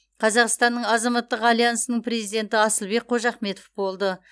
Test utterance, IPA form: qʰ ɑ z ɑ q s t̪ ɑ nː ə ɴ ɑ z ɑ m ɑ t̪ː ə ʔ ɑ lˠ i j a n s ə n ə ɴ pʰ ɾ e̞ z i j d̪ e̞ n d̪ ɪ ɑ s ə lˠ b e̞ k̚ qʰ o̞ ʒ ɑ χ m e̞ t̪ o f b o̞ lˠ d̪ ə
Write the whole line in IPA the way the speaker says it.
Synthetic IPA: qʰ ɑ z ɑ q s t̪ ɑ nː ə ɴ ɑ z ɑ m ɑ t̪ː ə q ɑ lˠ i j a n s ə n ə ɴ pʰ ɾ e̞ z i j d̪ e̞ n t̪ ɪ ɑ s ə lˠ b e̞ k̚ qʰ o̞ ʒ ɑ χ m e̞ t̪ o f b o̞ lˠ d̪ ə